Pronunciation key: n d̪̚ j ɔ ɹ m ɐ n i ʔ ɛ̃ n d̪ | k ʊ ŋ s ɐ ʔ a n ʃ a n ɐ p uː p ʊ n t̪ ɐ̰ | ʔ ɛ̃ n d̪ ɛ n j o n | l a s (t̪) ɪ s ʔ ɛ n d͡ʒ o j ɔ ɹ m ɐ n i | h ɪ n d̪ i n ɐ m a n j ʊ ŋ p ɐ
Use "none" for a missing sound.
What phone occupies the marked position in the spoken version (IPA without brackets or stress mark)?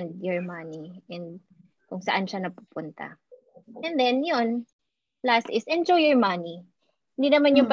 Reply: t̪